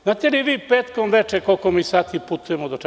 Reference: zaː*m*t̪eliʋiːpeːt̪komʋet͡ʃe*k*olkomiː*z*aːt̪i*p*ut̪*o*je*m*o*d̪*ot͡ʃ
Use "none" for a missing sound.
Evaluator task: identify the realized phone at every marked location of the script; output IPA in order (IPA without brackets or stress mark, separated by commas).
none, k, s, p, u, m, d̪